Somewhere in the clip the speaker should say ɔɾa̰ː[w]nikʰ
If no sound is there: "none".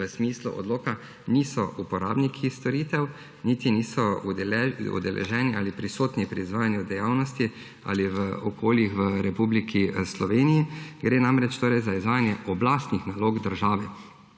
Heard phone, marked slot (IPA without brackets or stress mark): b